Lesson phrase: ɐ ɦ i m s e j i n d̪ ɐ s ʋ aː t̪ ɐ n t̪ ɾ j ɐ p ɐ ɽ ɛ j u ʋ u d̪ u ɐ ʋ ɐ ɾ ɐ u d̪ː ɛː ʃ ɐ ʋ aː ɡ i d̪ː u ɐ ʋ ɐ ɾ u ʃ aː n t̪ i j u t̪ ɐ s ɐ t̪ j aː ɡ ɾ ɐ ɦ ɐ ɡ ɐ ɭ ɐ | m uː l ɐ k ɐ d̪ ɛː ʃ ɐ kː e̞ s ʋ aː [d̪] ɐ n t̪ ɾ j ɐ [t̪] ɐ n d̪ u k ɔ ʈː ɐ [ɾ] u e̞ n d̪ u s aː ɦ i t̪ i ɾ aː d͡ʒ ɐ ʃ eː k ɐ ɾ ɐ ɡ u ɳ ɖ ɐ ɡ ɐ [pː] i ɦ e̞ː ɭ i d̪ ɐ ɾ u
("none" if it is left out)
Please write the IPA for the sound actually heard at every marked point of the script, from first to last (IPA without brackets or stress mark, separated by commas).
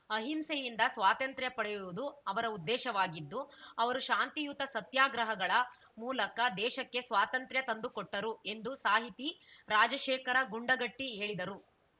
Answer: t̪, t̪, ɾ, ʈː